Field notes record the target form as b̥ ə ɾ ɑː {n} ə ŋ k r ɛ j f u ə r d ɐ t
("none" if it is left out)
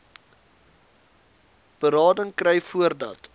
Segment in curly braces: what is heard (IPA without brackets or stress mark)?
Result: d